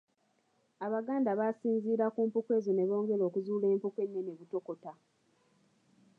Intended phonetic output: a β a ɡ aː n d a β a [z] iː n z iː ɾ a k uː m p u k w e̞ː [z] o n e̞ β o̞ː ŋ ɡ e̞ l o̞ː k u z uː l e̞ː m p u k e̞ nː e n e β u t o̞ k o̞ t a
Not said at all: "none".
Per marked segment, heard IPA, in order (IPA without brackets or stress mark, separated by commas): s, z